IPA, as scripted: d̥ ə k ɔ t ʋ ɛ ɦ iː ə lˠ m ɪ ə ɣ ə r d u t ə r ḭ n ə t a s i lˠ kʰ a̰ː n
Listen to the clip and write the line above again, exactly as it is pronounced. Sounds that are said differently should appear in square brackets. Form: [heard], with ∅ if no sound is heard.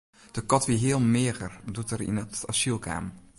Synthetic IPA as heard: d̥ ə k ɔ t ʋ [i] ɦ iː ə lˠ m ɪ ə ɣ ə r d u t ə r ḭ n ə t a s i lˠ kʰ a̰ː [m]